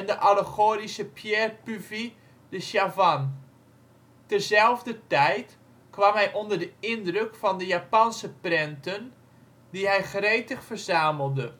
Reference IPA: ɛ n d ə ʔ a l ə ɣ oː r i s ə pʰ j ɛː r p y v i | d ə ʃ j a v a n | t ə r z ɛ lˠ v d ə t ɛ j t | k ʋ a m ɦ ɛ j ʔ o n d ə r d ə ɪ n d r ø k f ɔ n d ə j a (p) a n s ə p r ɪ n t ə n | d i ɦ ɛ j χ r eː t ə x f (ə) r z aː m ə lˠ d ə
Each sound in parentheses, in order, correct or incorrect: correct, correct

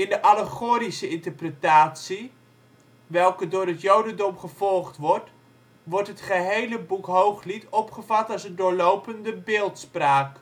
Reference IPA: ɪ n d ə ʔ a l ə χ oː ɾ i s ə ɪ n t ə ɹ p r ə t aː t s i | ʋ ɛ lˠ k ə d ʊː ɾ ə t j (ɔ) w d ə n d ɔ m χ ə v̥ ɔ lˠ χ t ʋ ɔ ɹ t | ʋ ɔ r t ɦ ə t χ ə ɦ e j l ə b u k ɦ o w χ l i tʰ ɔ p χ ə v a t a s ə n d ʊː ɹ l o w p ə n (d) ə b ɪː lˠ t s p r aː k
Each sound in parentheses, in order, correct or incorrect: incorrect: o, correct

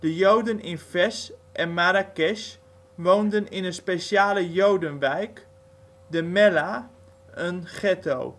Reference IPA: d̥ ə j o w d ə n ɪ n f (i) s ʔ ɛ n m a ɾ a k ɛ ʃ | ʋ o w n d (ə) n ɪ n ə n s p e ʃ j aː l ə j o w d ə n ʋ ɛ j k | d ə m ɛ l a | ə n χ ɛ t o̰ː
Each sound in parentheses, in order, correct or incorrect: incorrect: ɛ, correct

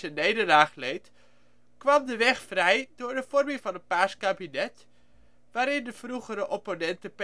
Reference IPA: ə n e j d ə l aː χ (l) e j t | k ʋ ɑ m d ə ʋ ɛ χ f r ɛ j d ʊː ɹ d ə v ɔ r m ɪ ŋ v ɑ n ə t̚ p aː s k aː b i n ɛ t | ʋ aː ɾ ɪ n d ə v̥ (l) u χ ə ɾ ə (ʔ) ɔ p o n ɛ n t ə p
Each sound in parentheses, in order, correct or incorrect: correct, incorrect: r, correct

